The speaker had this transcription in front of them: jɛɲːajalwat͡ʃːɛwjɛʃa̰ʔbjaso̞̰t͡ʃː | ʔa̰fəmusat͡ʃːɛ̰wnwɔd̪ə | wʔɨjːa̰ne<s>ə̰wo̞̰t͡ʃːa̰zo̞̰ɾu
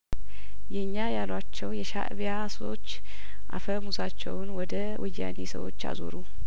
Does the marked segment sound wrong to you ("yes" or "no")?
no